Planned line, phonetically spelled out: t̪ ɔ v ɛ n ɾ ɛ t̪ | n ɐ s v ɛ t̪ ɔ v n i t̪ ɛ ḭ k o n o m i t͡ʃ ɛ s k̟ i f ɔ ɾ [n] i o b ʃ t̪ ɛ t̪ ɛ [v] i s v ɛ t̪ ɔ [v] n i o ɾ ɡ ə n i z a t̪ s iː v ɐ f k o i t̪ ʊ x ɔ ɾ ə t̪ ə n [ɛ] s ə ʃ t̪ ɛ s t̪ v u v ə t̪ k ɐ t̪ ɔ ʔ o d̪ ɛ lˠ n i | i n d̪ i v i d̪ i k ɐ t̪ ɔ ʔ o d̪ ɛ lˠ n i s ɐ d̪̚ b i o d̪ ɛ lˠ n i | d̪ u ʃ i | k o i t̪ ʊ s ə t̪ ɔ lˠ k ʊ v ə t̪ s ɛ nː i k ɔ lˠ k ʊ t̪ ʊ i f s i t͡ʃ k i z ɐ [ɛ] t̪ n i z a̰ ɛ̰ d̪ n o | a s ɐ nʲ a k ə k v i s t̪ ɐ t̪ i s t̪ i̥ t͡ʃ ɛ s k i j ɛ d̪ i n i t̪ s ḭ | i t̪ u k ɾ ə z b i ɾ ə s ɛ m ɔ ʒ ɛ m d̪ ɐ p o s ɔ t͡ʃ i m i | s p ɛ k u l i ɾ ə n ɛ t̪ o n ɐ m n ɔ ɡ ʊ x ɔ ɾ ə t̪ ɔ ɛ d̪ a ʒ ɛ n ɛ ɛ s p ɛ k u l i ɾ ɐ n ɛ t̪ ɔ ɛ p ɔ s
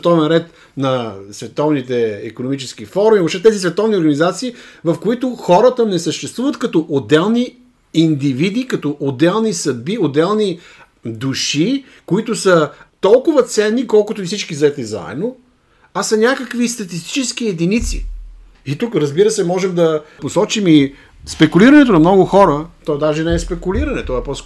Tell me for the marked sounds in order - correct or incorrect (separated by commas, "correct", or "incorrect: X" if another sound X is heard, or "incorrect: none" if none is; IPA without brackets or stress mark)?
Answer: incorrect: m, incorrect: z, correct, correct, correct